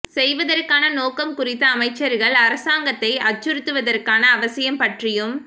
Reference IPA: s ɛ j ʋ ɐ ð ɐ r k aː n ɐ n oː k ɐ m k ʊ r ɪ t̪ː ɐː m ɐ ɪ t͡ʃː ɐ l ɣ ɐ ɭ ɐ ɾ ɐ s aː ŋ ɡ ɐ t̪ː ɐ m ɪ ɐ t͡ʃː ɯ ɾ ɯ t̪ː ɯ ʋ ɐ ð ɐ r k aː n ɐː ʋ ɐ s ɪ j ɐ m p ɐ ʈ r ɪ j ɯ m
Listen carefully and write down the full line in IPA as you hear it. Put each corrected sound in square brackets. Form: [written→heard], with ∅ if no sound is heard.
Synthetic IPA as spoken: s ɛ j ʋ ɐ ð ɐ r k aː n ɐ n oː k ɐ m k ʊ r ɪ t̪ː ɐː m ɐ ɪ t͡ʃː ɐ [l→ɾ] ɣ ɐ ɭ ɐ ɾ ɐ s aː ŋ ɡ ɐ t̪ː ɐ [m→∅] ɪ ɐ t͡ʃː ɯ ɾ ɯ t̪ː ɯ ʋ ɐ ð ɐ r k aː n ɐː ʋ ɐ s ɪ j ɐ m p ɐ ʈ r ɪ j ɯ m

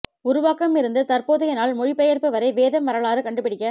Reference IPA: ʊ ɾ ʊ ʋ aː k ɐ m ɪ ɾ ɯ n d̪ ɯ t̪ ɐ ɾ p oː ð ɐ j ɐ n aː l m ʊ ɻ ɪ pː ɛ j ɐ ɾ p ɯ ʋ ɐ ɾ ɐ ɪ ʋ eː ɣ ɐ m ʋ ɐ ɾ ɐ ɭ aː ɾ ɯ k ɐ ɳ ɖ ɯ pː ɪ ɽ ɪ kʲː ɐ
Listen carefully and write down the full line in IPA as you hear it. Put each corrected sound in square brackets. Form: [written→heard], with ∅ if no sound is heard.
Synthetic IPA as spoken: ʊ ɾ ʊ ʋ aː k ɐ m ɪ ɾ ɯ n d̪ ɯ t̪ ɐ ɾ p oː ð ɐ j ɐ n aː l m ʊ ɻ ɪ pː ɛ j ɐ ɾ p ɯ ʋ ɐ ɾ ɐ ɪ ʋ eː [ɣ→ð] ɐ m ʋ ɐ ɾ ɐ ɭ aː ɾ ɯ k ɐ ɳ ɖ ɯ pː ɪ ɽ ɪ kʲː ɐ

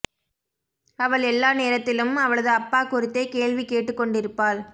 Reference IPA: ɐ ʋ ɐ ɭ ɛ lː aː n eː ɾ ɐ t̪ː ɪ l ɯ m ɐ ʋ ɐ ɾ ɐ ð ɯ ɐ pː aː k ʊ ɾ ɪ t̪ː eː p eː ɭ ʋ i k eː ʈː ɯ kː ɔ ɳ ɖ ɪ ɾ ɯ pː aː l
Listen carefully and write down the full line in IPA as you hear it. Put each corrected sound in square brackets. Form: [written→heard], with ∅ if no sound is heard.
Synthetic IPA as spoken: ɐ ʋ ɐ ɭ ɛ lː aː n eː ɾ ɐ t̪ː ɪ l ɯ m ɐ ʋ ɐ [ɾ→ɭ] ɐ ð ɯ ɐ pː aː k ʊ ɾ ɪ t̪ː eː [p→k] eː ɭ ʋ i k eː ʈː ɯ kː ɔ ɳ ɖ ɪ ɾ ɯ pː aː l

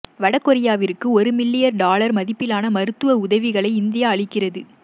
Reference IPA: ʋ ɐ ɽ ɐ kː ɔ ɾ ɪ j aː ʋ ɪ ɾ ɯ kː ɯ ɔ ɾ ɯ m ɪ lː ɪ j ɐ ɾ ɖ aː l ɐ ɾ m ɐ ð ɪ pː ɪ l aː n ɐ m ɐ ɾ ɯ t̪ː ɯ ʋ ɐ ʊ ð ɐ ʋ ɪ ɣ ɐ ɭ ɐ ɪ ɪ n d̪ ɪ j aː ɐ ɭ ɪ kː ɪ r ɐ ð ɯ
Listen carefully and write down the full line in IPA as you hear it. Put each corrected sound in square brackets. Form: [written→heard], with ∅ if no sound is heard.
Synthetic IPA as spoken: ʋ ɐ ɽ ɐ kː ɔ ɾ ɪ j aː ʋ ɪ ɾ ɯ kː ɯ ɔ ɾ ɯ m ɪ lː ɪ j ɐ ɾ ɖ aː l ɐ ɾ m ɐ ð ɪ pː ɪ l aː n ɐ m ɐ ɾ ɯ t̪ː ɯ ʋ ɐ ʊ ð ɐ ʋ ɪ ɣ ɐ ɭ ɐ ɪ ɪ n d̪ ɪ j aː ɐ ɭ ɪ kː ɪ r ɐ ð ɯ

